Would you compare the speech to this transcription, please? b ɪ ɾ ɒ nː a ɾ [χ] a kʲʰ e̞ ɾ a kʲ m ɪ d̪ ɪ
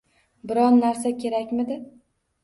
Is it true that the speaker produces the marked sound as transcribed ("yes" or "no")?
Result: no